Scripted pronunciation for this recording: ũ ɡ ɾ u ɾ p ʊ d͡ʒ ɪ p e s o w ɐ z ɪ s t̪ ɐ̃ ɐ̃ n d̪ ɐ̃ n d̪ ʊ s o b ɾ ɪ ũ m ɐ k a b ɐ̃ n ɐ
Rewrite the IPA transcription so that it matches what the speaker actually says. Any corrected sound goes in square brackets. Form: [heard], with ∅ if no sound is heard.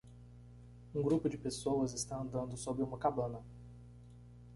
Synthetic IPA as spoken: ũ ɡ ɾ u [∅] p ʊ d͡ʒ ɪ p e s o w ɐ z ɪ s t̪ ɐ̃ ɐ̃ n d̪ ɐ̃ n d̪ ʊ s o b ɾ ɪ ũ m ɐ k a b ɐ̃ n ɐ